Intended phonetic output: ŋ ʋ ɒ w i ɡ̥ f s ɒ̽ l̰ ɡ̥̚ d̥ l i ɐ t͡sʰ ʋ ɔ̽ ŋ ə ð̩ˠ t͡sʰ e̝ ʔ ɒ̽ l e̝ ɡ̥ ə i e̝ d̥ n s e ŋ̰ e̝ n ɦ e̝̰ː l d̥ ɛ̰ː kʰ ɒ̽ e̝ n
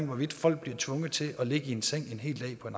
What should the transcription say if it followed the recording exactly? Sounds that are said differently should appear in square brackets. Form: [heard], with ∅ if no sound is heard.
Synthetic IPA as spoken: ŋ ʋ ɒ [ʋ] i [d̥] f [f] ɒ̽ l̰ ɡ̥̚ [b̥] l i ɐ t͡sʰ ʋ ɔ̽ ŋ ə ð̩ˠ t͡sʰ e̝ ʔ ɒ̽ l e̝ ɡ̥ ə i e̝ [∅] n s e ŋ̰ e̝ n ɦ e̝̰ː l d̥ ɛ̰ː [pʰ] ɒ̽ e̝ n